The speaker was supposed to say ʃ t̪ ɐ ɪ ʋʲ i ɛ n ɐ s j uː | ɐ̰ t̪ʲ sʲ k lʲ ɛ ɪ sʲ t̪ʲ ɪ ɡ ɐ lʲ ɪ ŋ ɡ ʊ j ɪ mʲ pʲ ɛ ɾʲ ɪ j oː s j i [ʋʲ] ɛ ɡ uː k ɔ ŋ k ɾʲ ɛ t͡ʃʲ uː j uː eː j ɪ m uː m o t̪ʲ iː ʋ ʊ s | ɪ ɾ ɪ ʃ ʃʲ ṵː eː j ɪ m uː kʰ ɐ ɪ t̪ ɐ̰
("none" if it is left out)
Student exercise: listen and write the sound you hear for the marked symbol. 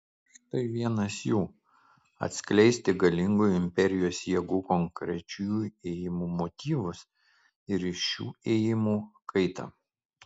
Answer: none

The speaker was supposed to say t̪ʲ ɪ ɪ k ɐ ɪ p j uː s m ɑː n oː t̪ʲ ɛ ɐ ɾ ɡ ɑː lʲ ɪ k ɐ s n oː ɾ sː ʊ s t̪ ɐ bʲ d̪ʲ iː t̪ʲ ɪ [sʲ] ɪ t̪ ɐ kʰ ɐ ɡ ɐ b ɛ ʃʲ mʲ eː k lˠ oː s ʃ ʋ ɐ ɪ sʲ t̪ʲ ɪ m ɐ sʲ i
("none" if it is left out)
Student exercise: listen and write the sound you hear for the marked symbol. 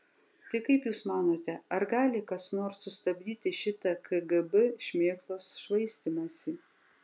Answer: ʃʲ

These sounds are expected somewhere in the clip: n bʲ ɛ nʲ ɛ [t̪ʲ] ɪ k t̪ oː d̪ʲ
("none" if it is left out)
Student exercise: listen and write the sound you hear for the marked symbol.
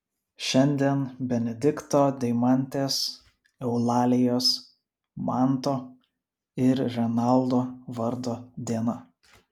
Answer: d̪ʲ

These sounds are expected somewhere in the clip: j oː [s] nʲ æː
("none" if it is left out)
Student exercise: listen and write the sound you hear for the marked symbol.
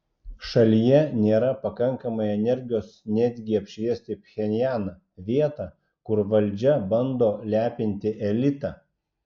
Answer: s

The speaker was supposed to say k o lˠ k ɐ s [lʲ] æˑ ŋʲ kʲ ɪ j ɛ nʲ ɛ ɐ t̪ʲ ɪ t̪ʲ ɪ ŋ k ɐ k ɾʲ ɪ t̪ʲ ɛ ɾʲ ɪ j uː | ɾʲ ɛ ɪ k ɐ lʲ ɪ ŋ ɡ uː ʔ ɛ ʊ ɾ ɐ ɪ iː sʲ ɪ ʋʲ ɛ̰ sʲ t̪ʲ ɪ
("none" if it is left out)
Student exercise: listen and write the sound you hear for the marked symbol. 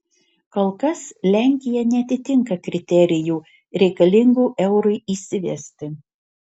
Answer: lʲ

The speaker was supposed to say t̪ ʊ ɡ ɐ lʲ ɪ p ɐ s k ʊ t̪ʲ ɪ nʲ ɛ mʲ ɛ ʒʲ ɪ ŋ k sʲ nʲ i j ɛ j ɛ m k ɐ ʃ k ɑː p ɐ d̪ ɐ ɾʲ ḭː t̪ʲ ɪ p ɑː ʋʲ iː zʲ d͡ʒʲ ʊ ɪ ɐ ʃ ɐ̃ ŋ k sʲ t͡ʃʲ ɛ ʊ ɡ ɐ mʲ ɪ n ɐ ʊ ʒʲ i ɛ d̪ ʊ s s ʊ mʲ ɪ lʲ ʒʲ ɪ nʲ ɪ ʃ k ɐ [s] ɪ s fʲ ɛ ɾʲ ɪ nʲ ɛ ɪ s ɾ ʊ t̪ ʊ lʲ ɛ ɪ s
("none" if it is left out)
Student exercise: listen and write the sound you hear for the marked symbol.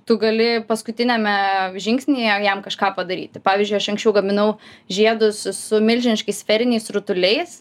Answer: none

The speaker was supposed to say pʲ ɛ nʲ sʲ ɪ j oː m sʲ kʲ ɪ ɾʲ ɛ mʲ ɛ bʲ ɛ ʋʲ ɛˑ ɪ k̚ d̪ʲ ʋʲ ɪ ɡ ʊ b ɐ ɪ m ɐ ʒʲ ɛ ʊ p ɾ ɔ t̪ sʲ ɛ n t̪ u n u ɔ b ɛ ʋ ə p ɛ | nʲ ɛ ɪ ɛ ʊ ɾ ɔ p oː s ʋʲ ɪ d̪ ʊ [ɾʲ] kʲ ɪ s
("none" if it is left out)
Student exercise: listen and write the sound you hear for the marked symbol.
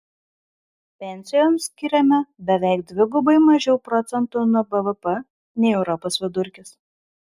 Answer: ɾʲ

